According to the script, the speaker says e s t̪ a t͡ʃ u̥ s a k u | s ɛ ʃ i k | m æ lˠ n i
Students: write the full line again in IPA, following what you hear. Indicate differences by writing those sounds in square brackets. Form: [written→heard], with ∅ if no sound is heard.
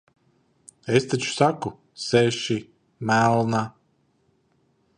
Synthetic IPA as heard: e s t̪ a t͡ʃ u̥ s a k u | s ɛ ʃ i [k→∅] | m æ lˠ n [i→a]